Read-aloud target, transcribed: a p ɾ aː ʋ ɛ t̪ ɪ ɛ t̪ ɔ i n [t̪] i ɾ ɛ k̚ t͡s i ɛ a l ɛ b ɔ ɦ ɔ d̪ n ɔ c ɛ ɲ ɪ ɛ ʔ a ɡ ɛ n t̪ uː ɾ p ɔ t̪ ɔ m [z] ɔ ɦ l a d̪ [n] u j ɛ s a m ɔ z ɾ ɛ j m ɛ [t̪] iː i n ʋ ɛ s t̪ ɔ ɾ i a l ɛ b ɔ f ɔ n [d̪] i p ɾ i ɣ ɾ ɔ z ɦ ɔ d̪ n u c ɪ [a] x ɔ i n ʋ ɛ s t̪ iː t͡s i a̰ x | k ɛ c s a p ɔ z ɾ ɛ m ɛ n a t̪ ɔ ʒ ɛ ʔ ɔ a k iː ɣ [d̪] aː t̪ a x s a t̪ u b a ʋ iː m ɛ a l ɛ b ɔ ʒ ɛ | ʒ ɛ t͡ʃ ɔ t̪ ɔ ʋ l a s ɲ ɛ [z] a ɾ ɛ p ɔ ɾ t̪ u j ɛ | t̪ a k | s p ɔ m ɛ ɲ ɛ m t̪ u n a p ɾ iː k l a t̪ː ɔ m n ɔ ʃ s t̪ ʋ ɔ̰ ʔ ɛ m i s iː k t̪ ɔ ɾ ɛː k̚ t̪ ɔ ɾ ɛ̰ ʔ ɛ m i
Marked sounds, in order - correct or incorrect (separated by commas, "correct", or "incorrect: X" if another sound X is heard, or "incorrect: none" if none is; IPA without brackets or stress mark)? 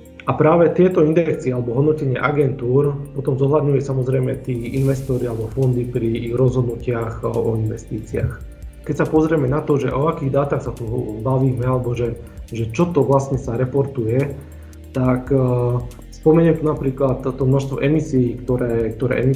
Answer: incorrect: d̪, correct, incorrect: ɲ, correct, correct, correct, correct, incorrect: s